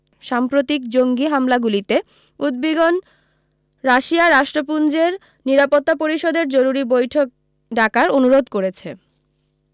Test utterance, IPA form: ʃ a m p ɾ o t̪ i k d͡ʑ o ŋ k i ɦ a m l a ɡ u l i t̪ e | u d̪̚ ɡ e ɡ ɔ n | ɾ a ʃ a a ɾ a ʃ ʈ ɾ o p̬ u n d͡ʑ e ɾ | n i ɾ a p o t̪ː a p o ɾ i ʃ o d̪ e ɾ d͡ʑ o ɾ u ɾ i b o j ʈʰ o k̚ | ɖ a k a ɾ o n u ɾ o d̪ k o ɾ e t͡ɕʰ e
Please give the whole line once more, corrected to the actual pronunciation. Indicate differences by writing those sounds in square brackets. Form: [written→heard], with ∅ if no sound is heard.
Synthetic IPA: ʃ a m p ɾ o t̪ i k d͡ʑ o ŋ [k→ɡ] i ɦ a m l a ɡ u l i t̪ e | u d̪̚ [ɡ→b] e ɡ [ɔ→o] n | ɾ a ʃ [a→i] a ɾ a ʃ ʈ ɾ o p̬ u n d͡ʑ e ɾ | n i ɾ a p o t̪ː a p o ɾ i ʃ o d̪ e ɾ d͡ʑ o ɾ u ɾ i b o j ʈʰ o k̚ | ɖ a k a ɾ o n u ɾ o d̪ k o ɾ e t͡ɕʰ e